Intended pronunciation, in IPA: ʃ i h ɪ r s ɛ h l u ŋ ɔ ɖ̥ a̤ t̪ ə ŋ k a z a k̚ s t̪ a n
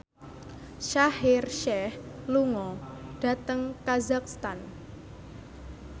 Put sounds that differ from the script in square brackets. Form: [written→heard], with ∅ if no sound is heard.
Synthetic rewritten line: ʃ [i→a] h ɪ r [s→ʃ] ɛ h l u ŋ ɔ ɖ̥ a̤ t̪ ə ŋ k a z a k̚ s t̪ a n

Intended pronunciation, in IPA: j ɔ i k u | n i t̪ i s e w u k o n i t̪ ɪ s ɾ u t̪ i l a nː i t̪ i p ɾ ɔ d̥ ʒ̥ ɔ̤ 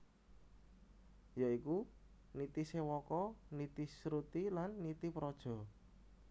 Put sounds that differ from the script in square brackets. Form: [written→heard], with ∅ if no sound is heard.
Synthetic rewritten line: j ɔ i k u | n i t̪ i s e w [u→ɔ] k [o→ɔ] n i t̪ [ɪ→i] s ɾ u t̪ i l a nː i t̪ i p ɾ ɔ d̥ ʒ̥ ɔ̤

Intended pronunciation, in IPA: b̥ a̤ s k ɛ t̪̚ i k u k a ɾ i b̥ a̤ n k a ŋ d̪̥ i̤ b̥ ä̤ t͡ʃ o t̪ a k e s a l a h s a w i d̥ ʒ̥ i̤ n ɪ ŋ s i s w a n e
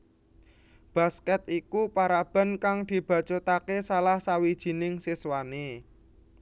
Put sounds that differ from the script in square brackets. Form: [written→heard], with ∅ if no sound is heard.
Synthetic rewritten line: b̥ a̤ s k ɛ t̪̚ i k u [k→p] a ɾ [i→a] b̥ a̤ n k a ŋ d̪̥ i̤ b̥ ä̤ t͡ʃ o t̪ a k e s a l a h s a w i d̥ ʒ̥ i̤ n ɪ ŋ s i s w a n e

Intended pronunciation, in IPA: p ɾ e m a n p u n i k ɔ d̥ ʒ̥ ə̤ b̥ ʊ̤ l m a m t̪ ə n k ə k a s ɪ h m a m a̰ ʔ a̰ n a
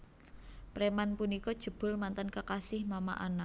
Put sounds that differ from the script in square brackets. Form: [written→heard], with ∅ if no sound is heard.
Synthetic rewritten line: p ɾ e m a n p u n i k ɔ d̥ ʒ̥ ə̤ b̥ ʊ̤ l m a [m→n] t̪ ə n k ə k a s ɪ h m a m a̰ ʔ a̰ n a

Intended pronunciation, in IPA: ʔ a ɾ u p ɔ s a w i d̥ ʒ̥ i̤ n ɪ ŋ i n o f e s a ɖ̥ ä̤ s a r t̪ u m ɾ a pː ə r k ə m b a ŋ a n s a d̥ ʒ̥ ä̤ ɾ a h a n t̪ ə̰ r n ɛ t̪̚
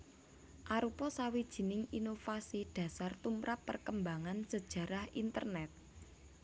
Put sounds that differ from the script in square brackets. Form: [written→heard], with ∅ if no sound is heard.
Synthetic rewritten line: ʔ a ɾ u p ɔ s a w i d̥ ʒ̥ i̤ n ɪ ŋ i n o f [e→a] s [a→i] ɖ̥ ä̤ s a r t̪ u m ɾ a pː ə r k ə m b a ŋ a n s [a→ə] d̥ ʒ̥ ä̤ ɾ a h [a→i] n t̪ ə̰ r n ɛ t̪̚

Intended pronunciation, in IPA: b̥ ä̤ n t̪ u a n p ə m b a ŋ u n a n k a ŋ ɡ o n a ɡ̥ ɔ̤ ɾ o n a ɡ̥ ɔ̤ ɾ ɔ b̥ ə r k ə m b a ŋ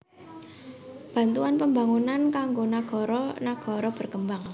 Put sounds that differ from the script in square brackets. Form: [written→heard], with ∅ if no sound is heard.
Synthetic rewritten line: b̥ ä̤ n t̪ u a n p ə m b a ŋ u n a n k a ŋ ɡ o n a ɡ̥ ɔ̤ ɾ [o→ɔ] n a ɡ̥ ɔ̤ ɾ ɔ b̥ ə r k ə m b a ŋ

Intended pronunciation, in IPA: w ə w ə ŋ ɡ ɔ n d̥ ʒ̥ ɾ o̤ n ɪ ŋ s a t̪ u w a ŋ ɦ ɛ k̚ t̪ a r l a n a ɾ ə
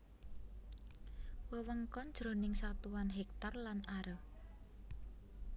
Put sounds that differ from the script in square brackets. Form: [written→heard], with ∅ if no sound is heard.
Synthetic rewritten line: w ə w ə ŋ [ɡ→k] ɔ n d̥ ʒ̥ ɾ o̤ n ɪ ŋ s a t̪ u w a [ŋ→n] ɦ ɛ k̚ t̪ a r l a n a ɾ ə

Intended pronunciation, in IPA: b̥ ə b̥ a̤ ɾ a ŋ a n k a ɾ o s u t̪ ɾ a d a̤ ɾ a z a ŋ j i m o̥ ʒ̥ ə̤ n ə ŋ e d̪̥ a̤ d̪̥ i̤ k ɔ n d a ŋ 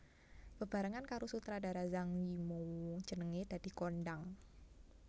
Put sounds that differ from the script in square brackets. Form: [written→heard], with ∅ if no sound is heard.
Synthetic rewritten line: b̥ ə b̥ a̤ ɾ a ŋ a n k a ɾ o s u t̪ ɾ a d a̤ ɾ a z a ŋ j i m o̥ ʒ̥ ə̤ n ə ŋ e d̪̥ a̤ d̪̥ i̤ k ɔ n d a ŋ

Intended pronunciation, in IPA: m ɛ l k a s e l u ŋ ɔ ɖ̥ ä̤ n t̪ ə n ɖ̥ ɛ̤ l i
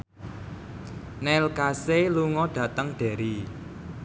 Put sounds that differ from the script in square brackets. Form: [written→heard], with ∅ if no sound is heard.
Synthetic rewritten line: [m→n] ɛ l k a s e l u ŋ ɔ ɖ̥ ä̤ [n→∅] t̪ ə [n→ŋ] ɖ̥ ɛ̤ [l→ɾ] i

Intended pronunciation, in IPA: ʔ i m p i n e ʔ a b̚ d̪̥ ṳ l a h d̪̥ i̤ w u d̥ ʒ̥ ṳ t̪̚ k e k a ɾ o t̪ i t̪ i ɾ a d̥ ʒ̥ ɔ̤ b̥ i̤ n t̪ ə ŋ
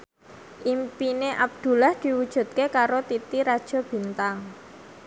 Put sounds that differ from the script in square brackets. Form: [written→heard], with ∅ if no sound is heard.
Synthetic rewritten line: ʔ i m p i n e ʔ a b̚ d̪̥ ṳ l a h d̪̥ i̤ w u d̥ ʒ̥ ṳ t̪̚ k e k a ɾ o t̪ i t̪ i ɾ a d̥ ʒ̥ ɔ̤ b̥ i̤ n t̪ [ə→a] ŋ

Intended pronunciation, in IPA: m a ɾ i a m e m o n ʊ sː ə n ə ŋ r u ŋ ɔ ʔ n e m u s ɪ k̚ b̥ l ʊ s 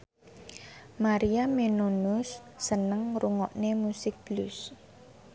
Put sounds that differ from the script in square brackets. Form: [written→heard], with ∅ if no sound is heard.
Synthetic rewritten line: m a ɾ i a m e [m→n] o n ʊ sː ə n ə ŋ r u ŋ ɔ ʔ n e m u s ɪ k̚ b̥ l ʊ s

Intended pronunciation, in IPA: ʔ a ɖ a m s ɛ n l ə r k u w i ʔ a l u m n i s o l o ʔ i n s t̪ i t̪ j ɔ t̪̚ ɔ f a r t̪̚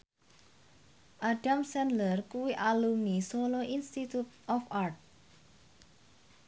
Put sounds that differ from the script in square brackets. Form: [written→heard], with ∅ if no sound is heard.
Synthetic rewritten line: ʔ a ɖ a m s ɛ n l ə r k u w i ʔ a l u m n i s o l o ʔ i n s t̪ i t̪ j [ɔ→u] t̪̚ ɔ f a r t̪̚

